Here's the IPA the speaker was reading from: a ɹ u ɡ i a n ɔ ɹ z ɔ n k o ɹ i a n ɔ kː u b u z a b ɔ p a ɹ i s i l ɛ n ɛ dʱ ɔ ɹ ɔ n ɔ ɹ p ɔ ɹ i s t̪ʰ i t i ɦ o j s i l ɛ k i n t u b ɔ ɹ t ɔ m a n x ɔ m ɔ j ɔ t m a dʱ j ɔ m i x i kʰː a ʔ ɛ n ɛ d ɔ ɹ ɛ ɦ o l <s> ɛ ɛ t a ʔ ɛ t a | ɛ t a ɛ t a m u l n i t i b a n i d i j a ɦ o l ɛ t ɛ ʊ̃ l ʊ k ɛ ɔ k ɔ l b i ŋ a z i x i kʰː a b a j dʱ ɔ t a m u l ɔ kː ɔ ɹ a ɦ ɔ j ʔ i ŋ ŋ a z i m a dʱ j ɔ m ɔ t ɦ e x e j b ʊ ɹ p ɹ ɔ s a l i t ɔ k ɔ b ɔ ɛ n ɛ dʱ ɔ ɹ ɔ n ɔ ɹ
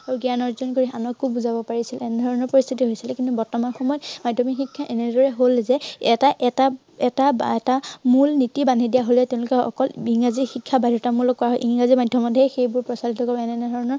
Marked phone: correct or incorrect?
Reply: incorrect: z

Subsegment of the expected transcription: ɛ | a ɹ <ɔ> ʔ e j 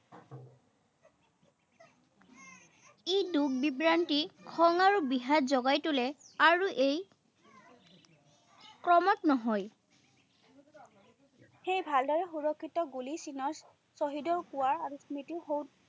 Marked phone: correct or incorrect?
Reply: incorrect: u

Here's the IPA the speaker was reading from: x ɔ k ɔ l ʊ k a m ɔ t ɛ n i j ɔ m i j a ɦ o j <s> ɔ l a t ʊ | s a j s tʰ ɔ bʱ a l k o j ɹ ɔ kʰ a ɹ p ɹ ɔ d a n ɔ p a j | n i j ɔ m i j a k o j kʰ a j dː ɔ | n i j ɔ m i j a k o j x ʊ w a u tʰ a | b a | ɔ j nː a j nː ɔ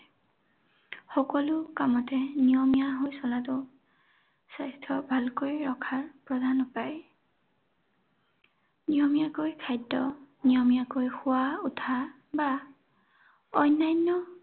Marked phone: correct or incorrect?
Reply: correct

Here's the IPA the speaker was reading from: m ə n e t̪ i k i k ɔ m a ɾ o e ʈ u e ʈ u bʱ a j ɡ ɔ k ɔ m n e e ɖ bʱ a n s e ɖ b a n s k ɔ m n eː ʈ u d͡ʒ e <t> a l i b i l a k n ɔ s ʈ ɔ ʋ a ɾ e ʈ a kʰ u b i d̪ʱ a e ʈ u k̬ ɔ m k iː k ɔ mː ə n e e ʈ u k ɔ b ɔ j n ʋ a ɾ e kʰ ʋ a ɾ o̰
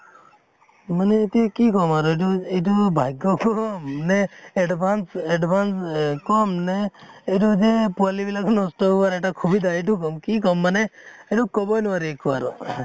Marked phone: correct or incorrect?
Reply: incorrect: p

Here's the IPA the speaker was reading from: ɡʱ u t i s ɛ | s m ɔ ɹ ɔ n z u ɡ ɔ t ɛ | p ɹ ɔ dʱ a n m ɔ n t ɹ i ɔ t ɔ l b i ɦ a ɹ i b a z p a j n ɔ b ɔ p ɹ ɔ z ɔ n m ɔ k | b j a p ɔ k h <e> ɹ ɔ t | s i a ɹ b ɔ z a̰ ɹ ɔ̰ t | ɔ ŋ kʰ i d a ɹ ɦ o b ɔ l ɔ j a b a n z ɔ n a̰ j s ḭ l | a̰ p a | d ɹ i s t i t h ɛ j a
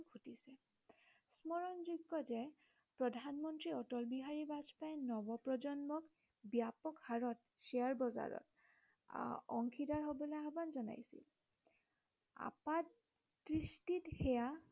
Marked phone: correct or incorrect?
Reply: incorrect: a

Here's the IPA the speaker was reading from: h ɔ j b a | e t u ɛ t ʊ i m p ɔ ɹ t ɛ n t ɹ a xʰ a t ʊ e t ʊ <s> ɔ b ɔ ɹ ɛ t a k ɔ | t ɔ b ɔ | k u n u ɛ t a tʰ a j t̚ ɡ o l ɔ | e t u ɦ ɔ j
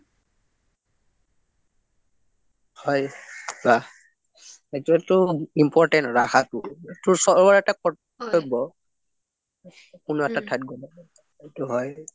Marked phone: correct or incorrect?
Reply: correct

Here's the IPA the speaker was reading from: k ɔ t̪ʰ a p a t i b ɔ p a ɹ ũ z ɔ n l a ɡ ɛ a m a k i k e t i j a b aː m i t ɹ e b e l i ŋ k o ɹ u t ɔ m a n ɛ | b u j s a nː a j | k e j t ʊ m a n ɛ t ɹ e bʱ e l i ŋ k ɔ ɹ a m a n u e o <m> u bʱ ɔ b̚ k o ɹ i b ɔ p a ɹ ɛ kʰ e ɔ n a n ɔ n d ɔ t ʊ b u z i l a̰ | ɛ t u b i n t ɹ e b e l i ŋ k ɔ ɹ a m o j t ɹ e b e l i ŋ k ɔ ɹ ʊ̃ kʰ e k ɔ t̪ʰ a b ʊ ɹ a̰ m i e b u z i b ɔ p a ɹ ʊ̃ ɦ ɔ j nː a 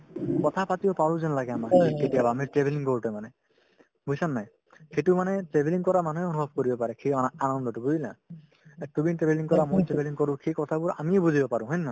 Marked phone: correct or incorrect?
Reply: incorrect: n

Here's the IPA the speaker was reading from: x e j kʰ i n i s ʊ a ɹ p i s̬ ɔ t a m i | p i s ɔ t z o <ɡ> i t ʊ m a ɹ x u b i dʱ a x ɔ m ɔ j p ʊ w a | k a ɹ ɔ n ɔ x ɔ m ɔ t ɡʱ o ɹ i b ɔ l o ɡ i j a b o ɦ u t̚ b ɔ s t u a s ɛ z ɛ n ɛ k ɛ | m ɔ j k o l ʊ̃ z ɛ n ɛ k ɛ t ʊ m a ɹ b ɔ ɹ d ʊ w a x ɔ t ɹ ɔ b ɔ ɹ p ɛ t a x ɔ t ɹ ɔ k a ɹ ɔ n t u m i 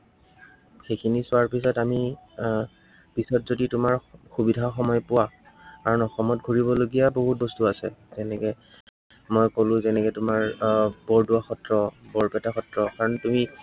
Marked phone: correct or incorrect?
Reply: incorrect: d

